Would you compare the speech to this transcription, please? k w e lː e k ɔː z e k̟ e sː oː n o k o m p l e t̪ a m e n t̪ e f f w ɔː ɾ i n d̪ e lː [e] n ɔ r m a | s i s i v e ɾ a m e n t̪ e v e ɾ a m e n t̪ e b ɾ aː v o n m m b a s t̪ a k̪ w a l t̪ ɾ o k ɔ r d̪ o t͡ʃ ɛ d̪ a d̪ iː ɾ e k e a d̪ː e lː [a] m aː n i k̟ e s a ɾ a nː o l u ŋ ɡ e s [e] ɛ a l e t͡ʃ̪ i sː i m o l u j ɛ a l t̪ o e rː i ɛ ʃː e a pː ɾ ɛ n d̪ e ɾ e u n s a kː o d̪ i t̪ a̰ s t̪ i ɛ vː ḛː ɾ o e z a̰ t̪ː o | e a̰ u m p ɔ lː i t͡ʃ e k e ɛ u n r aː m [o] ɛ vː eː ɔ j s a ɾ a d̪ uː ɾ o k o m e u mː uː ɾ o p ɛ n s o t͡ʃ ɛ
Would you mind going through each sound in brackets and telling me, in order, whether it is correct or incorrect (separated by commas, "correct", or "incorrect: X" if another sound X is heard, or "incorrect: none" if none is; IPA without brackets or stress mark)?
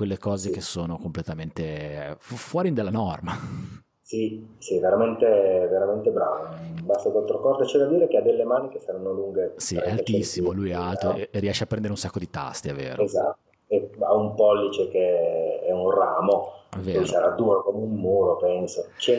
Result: incorrect: a, incorrect: e, incorrect: i, correct